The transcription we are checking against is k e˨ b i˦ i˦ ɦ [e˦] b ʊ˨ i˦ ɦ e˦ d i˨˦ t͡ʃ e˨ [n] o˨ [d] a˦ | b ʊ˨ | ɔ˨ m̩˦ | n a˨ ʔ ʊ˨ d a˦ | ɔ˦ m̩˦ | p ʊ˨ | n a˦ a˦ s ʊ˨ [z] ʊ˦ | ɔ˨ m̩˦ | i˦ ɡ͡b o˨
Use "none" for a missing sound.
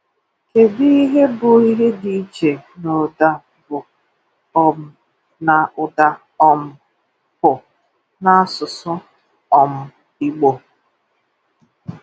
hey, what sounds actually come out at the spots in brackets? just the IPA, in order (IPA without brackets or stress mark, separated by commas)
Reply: e˦, n, d, s